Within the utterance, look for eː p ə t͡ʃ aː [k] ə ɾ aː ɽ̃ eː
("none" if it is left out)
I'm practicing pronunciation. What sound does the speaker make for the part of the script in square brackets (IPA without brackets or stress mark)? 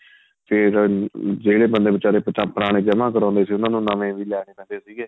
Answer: p